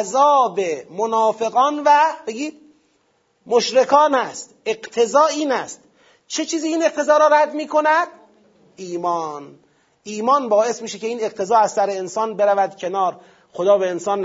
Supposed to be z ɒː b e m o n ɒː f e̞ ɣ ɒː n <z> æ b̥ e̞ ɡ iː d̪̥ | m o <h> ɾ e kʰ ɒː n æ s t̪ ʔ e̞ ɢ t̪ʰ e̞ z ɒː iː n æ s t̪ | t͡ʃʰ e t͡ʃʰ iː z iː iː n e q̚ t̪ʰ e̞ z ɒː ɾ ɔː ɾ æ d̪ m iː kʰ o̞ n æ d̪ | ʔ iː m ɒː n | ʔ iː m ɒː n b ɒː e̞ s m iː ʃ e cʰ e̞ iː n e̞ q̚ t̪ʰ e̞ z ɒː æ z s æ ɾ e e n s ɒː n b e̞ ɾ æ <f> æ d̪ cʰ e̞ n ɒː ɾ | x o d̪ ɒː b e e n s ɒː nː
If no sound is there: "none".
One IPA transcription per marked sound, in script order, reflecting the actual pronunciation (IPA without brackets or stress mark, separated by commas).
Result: v, ʃ, v